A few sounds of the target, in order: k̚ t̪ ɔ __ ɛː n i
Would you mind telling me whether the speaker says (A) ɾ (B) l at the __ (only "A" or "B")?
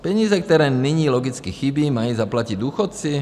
A